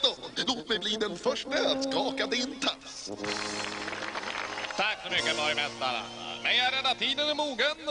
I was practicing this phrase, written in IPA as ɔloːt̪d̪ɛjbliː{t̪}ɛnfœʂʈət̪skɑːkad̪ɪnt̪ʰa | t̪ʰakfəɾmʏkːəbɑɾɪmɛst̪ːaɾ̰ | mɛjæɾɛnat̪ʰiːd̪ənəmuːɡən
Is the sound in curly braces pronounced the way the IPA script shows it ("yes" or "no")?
no